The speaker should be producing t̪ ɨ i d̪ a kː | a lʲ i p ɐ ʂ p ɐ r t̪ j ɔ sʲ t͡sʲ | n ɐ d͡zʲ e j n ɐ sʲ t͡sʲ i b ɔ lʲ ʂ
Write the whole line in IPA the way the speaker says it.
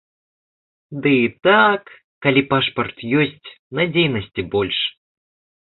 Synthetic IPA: d̪ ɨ i t̪ a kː | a lʲ i p a ʂ p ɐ r t̪ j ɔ sʲ t͡sʲ | n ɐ d͡zʲ e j n ɐ sʲ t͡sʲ i b ɔ lʲ ʂ